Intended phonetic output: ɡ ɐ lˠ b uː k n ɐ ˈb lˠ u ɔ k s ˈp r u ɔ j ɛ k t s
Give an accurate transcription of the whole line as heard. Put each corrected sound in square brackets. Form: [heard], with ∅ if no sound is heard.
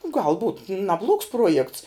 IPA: ɡ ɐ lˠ b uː [t] n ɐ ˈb lˠ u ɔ k s ˈp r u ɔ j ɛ k t s

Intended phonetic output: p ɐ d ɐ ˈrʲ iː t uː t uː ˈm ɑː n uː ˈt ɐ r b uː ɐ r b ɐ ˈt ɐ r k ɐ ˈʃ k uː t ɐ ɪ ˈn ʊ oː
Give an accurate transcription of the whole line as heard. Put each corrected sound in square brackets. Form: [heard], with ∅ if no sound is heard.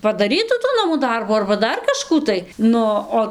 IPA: p ɐ d ɐ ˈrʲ iː t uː t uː [ˈn] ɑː [m] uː [ˈd] ɐ r b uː ɐ r b ɐ [ˈd] ɐ r k ɐ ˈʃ k uː t ɐ ɪ ˈn ʊ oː

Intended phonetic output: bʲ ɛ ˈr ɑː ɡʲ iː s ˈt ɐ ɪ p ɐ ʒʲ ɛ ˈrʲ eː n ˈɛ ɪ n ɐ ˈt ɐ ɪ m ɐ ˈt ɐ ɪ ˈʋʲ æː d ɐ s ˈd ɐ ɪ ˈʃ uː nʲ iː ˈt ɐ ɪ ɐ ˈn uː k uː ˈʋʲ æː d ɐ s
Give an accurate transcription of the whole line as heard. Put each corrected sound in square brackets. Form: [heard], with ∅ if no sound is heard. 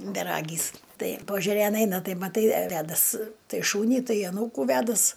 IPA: bʲ ɛ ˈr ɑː ɡʲ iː s ˈt ɐ ɪ p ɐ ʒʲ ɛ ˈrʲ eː n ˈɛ ɪ n ɐ ˈt ɐ ɪ m ɐ ˈt ɐ ɪ ˈʋʲ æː d ɐ s [ˈt] ɐ ɪ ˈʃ uː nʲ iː ˈt ɐ ɪ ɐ ˈn uː k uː ˈʋʲ æː d ɐ s

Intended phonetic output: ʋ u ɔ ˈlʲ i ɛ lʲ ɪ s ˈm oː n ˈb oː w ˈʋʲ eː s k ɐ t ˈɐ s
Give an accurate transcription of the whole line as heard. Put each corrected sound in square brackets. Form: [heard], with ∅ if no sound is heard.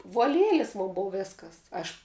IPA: ʋ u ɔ ˈlʲ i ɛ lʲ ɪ s ˈm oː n ˈb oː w ˈʋʲ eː s k ɐ [s] ˈɐ [ʃ]

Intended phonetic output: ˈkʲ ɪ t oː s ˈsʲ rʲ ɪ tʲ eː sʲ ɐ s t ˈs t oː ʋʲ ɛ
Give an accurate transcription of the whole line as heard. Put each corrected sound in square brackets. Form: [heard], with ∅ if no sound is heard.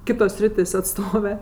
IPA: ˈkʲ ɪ t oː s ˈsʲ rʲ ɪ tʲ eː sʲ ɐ [∅] t ˈs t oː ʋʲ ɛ

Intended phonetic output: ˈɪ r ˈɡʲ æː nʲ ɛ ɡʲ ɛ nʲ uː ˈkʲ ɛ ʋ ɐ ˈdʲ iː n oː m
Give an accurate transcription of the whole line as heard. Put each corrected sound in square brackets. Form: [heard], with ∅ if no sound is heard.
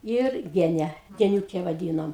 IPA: ˈɪ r ˈɡʲ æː nʲ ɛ ɡʲ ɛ nʲ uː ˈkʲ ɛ ʋ ɐ ˈdʲ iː n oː m

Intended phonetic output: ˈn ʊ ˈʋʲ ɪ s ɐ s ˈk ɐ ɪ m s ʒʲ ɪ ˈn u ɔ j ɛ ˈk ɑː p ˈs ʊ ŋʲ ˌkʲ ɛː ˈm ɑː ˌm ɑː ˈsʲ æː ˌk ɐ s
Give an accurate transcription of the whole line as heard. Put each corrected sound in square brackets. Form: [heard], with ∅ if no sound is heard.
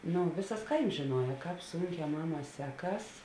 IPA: ˈn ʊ ˈʋʲ ɪ s ɐ s ˈk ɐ ɪ m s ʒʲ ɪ ˈn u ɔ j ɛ ˈk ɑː p ˈs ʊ ŋʲ ˌkʲ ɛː ˈm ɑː ˌm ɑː ˈsʲ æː ˌk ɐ s

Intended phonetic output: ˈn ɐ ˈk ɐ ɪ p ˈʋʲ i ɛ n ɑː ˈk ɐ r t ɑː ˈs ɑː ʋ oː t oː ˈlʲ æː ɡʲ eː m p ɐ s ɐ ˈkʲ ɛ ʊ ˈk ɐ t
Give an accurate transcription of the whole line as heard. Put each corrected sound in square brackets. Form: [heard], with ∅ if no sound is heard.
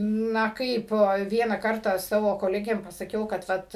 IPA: ˈn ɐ ˈk ɐ ɪ p ˈʋʲ i ɛ n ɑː ˈk ɐ r t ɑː ˈs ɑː ʋ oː [k] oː ˈlʲ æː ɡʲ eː m p ɐ s ɐ ˈkʲ ɛ ʊ ˈk ɐ t

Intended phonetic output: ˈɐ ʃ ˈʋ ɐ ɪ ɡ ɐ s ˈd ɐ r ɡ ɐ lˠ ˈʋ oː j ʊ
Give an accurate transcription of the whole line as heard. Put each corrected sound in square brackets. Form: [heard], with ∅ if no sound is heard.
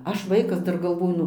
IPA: ˈɐ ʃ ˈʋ ɐ ɪ [k] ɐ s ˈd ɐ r ɡ ɐ lˠ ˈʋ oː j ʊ

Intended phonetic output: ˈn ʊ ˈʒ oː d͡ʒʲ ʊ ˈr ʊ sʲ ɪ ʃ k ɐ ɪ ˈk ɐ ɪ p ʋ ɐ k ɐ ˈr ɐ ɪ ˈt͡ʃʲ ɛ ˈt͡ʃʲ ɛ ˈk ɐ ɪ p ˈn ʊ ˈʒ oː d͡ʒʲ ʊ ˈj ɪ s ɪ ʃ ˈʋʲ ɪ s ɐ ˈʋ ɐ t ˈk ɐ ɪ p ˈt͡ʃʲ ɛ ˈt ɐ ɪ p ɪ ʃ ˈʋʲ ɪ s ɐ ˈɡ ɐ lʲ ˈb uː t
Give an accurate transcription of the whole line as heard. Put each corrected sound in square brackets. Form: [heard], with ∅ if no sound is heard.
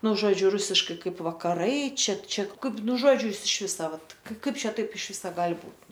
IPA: ˈn ʊ ˈʒ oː d͡ʒʲ ʊ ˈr ʊ sʲ ɪ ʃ k ɐ ɪ ˈk ɐ ɪ p ʋ ɐ k ɐ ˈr ɐ ɪ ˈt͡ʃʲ ɛ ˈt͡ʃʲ ɛ ˈk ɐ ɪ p ˈn ʊ ˈʒ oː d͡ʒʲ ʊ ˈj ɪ s ɪ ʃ ˈʋʲ ɪ s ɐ ˈʋ ɐ t ˈk ɐ ɪ p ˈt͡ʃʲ ɛ ˈt ɐ ɪ p ɪ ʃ ˈʋʲ ɪ s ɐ ˈɡ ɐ lʲ ˈb uː t

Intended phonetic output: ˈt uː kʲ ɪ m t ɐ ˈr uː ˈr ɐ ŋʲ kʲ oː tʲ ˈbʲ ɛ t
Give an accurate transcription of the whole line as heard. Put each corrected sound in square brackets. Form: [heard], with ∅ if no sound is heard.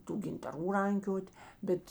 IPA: ˈt uː [ɡʲ] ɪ [n] t ɐ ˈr uː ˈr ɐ ŋʲ kʲ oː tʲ ˈbʲ ɛ t

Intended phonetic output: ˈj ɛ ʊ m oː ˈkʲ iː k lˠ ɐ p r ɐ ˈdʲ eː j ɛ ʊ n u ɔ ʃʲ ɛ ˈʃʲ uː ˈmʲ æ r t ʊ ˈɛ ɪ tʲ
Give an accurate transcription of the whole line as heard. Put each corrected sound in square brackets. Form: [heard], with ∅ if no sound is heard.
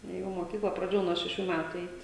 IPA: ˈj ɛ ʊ m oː ˈkʲ iː k lˠ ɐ p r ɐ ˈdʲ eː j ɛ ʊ n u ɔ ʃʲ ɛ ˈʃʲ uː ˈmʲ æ [∅] t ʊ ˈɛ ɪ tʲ

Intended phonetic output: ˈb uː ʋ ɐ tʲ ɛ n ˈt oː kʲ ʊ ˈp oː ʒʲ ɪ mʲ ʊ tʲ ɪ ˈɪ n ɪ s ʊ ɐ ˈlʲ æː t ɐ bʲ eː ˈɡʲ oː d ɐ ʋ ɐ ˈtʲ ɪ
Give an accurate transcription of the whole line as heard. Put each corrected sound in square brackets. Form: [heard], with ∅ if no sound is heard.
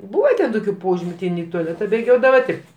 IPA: ˈb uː ʋ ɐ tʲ ɛ n ˈt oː kʲ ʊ ˈp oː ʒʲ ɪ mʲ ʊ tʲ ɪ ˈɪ n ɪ [t] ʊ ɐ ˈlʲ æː t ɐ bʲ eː ˈɡʲ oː d ɐ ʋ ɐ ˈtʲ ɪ

